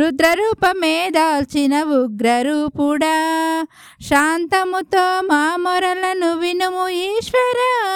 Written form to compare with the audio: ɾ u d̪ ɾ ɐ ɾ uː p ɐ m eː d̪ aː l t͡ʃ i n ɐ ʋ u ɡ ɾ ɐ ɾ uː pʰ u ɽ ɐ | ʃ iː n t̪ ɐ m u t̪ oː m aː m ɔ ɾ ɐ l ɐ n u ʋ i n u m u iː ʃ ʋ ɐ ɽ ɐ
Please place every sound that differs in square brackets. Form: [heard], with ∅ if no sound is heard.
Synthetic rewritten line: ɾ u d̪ ɾ ɐ ɾ uː p ɐ m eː d̪ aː l t͡ʃ i n ɐ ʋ u ɡ ɾ ɐ ɾ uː [p] u ɽ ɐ | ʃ [aː] n t̪ ɐ m u t̪ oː m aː m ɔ ɾ ɐ l ɐ n u ʋ i n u m u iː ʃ ʋ ɐ [ɾ] ɐ